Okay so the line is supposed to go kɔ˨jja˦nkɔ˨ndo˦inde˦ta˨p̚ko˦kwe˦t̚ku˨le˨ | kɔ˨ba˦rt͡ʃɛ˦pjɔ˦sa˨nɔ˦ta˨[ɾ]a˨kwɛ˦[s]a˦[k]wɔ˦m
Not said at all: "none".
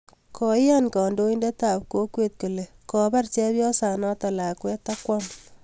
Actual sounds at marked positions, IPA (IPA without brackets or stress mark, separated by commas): l, t, k